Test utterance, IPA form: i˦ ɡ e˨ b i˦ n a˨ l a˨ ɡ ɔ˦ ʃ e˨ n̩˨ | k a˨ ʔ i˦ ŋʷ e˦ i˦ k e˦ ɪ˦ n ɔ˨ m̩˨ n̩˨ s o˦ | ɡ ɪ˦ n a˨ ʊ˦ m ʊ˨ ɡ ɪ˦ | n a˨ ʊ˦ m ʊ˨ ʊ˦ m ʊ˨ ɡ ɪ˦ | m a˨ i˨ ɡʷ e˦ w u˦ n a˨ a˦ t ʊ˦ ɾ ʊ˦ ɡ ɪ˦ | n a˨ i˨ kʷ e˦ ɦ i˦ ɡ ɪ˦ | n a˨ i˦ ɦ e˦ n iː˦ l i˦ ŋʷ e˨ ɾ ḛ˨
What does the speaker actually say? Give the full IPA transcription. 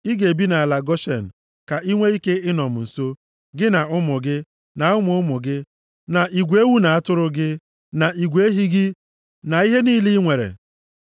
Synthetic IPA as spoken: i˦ ɡ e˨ b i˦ n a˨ l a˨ ɡ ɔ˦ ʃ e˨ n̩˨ | k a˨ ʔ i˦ ŋʷ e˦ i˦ k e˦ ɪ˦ n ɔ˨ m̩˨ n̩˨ s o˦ | ɡ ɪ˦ n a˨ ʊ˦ m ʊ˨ ɡ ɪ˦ | n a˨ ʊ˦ m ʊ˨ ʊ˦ m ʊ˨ ɡ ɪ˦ | n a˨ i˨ ɡʷ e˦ w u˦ n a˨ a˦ t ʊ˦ ɾ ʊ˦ ɡ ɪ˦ | n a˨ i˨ ɡʷ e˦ ɦ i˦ ɡ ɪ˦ | n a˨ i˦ ɦ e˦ n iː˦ l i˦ ŋʷ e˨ ɾ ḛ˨